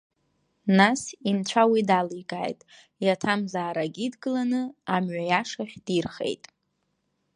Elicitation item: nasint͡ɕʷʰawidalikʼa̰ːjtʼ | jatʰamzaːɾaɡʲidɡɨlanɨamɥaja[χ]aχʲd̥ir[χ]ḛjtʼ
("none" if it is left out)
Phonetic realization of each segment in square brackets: ʂ, χ

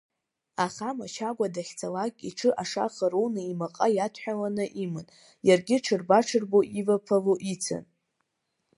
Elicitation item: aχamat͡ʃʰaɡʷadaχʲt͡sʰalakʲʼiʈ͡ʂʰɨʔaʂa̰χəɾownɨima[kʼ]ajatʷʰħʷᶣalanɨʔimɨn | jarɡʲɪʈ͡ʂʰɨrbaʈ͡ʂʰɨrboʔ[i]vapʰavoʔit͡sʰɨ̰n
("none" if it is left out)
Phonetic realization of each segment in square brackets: qʼ, i

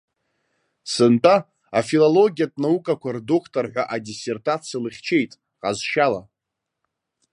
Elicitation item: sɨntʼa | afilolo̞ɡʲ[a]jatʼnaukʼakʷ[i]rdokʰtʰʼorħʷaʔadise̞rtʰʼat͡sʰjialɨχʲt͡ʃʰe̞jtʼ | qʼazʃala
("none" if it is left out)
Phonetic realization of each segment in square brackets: i, a

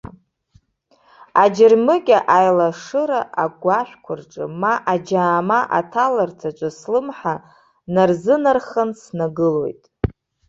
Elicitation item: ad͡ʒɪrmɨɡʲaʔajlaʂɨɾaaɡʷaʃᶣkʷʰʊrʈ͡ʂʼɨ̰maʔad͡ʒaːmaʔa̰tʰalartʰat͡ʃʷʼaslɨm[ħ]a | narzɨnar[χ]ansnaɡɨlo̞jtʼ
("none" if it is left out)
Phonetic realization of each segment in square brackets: ħ, χ

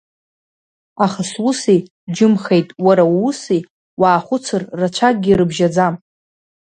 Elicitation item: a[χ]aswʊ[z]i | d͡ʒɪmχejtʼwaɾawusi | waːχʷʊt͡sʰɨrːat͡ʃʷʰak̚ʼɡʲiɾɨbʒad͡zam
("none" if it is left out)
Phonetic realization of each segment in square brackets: χ, s

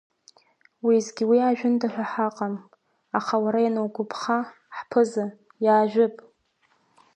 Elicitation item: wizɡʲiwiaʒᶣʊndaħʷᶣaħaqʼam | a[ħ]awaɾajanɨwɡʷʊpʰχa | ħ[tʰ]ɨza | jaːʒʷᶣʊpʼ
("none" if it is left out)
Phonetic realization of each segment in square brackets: χ, pʰ

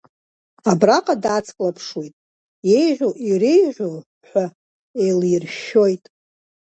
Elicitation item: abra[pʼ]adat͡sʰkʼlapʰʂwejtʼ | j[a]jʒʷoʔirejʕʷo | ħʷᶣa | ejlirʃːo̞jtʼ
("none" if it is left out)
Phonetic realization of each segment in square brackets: qʼ, e

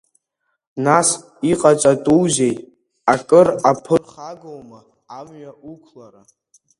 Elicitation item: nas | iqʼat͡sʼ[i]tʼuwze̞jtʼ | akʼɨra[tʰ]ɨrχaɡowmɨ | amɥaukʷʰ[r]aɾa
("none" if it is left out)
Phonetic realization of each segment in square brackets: a, pʰ, l

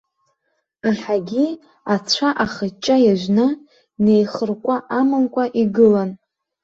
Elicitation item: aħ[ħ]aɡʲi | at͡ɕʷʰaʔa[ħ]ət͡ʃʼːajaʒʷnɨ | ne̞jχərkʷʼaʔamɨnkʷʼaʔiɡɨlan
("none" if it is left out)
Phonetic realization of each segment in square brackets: ħ, χ

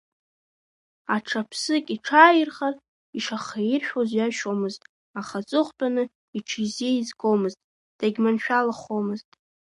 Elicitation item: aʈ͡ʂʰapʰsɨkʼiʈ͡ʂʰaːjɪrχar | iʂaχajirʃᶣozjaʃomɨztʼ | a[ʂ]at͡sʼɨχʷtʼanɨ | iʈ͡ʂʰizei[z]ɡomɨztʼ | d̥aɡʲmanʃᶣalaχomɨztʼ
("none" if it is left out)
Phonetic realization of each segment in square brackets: χ, z

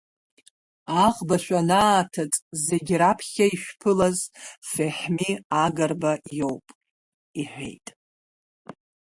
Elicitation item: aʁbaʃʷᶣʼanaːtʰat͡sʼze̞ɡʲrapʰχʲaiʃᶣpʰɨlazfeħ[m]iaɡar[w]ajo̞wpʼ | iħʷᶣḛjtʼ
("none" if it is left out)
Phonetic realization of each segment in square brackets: m, b

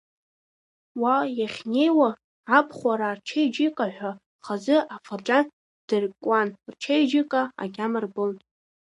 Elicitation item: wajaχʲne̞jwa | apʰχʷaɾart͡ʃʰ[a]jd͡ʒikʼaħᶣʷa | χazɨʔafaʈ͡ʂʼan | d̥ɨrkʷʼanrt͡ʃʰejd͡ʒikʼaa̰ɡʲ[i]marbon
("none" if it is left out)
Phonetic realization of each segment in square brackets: e, a

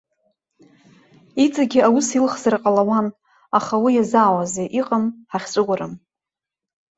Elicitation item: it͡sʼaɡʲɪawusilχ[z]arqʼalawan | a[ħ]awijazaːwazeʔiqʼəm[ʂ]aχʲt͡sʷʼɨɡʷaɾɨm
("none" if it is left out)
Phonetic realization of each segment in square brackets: z, χ, ħ

